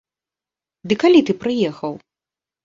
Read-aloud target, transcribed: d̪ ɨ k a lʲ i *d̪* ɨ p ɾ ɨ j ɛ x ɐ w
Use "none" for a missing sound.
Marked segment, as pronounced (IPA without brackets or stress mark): t̪